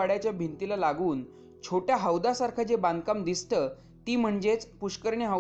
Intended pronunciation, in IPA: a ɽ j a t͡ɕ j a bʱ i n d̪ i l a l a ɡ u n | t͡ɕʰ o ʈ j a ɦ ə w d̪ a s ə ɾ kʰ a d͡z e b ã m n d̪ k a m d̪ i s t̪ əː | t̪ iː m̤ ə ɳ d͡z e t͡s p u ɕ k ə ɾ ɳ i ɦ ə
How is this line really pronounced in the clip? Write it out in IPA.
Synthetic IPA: a ɽ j a t͡ɕ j a bʱ i n t̪ i l a l a ɡ uː n | t͡ɕʰ o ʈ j a ɦ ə w d̪ a s a ɾ kʰ a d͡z e b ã n d̪ k a m d̪ i s t̪ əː | t̪ iː m̤ ə ɳ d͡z e t͡s p u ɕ k ə ɾ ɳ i ɦ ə